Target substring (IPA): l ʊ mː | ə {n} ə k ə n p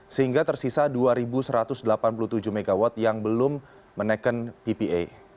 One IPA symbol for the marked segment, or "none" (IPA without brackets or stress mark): n